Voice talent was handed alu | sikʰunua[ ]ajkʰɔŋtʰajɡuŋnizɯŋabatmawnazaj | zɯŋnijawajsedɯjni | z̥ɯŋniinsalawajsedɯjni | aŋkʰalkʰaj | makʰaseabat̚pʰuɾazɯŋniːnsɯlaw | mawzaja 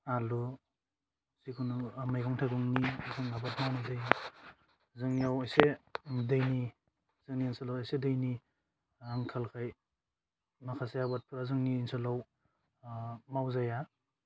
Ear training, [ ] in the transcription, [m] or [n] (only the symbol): m